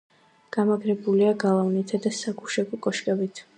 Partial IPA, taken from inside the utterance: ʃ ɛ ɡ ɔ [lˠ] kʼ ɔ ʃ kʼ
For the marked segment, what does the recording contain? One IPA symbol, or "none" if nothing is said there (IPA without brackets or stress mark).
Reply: none